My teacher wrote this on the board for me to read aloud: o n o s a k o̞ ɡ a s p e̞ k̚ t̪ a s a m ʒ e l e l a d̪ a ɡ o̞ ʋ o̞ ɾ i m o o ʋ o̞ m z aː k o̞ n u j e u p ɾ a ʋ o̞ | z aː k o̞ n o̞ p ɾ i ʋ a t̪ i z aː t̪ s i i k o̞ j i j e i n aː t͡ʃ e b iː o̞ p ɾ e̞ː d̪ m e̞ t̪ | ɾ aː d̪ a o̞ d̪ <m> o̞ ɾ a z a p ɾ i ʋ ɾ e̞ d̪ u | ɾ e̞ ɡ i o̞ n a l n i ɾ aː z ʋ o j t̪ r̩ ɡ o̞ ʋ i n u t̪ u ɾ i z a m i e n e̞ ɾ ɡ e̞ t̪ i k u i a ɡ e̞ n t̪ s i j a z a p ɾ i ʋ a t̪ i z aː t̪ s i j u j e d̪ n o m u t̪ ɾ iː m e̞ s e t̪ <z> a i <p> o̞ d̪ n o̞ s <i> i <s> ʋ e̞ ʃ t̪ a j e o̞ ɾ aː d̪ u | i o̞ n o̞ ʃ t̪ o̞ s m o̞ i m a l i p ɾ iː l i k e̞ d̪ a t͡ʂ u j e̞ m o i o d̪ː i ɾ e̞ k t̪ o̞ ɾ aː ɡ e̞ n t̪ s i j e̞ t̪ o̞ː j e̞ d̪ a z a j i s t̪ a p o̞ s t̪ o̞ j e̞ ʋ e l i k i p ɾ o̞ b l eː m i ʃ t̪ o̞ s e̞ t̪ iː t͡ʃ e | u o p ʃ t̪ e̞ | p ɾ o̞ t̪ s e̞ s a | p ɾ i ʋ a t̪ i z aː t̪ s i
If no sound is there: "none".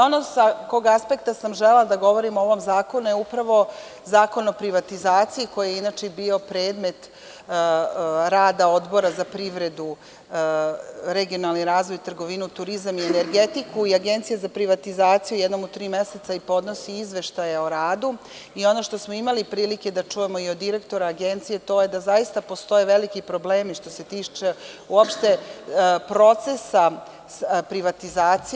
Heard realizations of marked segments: b, s, p, i, z

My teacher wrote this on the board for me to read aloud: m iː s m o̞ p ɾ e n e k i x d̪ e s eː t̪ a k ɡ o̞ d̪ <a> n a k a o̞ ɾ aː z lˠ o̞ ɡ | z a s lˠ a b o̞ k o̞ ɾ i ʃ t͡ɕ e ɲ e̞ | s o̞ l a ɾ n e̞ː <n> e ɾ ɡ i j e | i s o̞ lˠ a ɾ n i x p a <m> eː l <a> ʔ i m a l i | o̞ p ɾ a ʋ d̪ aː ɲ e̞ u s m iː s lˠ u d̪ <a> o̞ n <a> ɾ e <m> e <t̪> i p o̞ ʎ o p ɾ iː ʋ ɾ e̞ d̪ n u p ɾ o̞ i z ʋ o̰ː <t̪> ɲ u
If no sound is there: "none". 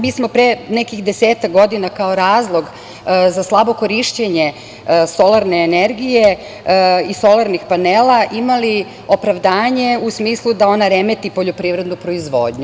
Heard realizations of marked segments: i, n, n, a, a, a, m, t̪, d̪

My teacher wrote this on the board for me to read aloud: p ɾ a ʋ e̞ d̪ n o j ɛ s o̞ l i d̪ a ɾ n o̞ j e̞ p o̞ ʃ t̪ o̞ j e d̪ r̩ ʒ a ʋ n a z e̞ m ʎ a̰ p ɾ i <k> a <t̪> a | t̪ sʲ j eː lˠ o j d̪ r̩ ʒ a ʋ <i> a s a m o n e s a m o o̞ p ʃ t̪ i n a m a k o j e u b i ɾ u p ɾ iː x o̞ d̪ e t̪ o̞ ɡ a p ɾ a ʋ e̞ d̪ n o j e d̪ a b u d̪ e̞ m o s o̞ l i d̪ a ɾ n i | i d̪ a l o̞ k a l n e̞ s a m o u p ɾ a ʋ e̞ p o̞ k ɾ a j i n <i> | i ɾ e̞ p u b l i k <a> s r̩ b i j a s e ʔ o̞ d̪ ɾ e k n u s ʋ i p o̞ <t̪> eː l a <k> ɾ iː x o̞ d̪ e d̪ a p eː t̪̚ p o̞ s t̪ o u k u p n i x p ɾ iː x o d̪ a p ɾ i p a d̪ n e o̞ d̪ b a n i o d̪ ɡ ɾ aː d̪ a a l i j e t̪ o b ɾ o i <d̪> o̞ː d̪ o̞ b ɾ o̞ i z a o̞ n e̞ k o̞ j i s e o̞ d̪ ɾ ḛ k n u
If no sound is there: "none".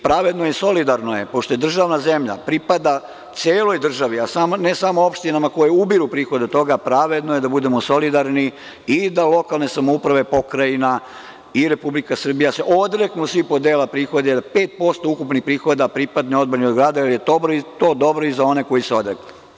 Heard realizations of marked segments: p, d̪, i, a, a, d̪, p, t̪

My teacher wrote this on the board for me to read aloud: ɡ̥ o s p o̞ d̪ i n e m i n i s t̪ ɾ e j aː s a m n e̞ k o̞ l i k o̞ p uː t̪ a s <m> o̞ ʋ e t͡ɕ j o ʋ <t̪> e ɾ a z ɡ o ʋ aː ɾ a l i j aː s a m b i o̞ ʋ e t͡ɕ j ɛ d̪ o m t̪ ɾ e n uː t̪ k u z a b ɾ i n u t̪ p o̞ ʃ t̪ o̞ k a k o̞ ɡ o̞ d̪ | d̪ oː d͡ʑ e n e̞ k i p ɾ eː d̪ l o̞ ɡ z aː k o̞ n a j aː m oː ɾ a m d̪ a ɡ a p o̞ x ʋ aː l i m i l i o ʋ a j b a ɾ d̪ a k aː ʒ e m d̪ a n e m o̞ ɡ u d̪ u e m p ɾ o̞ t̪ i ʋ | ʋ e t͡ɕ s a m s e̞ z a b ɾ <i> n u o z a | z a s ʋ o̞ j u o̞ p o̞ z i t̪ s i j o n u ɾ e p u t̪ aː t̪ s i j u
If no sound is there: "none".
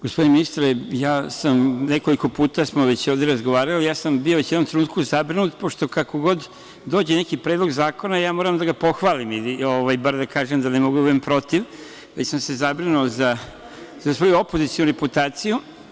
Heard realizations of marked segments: m, d̪, i

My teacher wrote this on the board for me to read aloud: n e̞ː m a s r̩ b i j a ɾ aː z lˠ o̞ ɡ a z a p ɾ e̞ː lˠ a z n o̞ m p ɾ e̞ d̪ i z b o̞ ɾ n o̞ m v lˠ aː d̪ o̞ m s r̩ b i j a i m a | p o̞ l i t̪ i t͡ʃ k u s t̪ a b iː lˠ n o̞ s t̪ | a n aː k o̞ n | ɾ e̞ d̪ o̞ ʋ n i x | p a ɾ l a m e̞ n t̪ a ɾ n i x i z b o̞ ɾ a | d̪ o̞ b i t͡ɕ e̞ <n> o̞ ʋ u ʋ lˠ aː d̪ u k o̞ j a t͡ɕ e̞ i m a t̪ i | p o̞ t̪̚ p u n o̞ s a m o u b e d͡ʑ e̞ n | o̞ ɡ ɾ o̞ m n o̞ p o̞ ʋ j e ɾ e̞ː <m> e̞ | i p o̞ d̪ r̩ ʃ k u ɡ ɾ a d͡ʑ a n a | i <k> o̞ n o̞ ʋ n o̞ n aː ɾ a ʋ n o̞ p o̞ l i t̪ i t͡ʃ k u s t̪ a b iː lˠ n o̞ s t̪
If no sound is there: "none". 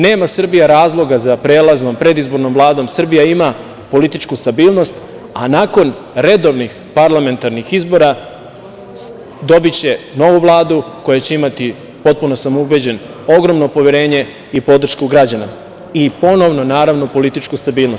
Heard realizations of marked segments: n, ɲ, p

